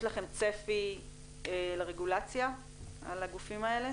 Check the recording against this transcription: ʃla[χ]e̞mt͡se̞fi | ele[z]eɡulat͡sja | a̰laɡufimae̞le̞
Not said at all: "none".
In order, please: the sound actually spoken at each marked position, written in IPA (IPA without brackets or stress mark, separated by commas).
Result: χ, ʁ